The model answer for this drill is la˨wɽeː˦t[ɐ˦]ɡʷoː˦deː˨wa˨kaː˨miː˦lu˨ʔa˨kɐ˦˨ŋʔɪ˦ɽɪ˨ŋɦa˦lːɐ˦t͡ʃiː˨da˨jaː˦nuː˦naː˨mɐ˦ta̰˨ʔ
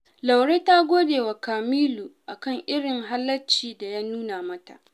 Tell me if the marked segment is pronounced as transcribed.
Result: no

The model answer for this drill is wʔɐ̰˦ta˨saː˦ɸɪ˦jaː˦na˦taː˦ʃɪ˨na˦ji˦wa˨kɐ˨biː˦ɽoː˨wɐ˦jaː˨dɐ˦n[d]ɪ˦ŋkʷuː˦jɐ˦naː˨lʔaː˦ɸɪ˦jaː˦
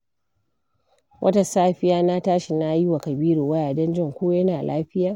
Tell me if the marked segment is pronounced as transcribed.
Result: no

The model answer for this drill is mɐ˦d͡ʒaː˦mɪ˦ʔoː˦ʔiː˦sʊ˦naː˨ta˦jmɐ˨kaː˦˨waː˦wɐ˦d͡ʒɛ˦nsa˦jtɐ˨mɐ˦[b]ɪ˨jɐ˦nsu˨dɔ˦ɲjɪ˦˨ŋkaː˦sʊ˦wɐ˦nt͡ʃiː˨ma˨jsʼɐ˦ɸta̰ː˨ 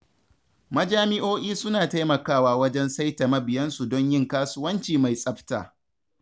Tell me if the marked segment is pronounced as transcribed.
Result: yes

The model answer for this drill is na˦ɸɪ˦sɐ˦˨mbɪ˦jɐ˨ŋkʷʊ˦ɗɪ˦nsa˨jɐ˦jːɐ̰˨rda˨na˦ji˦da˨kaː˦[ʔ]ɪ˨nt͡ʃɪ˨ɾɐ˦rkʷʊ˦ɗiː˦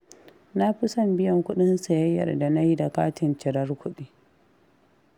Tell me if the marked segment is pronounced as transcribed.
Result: no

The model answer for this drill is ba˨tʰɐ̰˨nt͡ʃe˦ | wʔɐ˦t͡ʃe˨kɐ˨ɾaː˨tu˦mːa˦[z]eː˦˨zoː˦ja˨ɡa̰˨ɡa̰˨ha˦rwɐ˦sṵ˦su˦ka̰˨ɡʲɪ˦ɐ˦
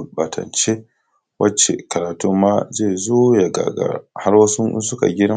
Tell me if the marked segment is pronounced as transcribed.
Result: yes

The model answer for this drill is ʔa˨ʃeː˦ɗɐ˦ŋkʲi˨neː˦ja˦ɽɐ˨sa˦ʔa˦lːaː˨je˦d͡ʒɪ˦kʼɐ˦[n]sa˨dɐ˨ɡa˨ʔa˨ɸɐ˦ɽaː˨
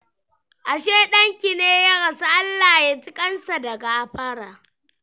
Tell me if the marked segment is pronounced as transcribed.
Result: yes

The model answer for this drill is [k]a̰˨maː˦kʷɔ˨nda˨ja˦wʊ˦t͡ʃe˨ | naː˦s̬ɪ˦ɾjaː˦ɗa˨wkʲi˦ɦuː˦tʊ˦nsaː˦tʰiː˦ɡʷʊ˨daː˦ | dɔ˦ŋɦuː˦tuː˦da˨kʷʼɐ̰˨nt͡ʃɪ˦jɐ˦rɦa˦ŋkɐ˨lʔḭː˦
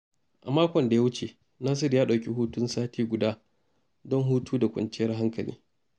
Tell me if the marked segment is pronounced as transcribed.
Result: no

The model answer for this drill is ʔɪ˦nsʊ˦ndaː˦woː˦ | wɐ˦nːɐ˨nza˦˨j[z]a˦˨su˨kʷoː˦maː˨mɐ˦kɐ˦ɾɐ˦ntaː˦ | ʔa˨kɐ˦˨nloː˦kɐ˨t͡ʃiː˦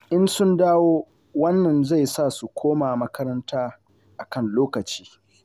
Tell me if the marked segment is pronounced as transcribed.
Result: no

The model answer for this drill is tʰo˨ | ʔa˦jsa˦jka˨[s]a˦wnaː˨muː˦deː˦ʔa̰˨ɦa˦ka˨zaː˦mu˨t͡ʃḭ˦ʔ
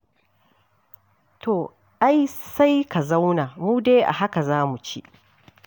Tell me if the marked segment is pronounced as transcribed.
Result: no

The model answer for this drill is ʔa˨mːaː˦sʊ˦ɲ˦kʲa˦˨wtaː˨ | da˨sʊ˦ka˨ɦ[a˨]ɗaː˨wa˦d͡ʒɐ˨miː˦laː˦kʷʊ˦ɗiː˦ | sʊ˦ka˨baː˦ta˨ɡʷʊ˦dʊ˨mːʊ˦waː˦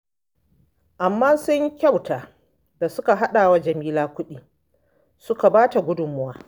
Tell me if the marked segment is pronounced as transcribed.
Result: no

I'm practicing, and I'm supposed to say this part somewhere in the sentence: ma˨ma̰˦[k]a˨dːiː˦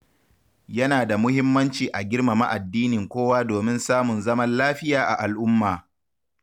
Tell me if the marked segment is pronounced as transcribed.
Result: no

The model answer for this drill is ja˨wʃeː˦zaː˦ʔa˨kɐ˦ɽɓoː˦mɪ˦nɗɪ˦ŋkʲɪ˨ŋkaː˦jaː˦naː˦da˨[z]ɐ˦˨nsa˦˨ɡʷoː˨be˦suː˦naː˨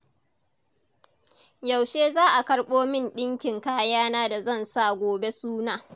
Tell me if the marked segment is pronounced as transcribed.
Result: yes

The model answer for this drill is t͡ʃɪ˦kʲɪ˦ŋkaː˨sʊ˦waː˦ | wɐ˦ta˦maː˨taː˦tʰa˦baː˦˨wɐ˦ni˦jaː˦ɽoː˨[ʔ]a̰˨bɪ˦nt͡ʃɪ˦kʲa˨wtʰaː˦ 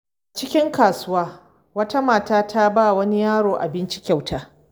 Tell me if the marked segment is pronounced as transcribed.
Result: yes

